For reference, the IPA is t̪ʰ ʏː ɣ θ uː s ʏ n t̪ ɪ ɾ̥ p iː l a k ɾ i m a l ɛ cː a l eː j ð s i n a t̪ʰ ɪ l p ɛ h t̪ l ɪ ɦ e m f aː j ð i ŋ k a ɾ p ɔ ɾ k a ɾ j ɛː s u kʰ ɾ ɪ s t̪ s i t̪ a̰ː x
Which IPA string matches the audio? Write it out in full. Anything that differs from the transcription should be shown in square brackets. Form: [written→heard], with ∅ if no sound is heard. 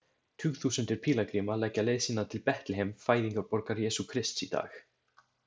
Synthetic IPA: t̪ʰ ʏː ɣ θ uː s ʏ n t̪ ɪ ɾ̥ [p→pʰ] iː l a k ɾ i m a l ɛ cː a l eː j ð s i n a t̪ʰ ɪ l p ɛ h t̪ l ɪ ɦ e m f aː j ð i ŋ k a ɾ p ɔ ɾ k a ɾ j ɛː s u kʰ ɾ ɪ s t̪ s i t̪ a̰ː x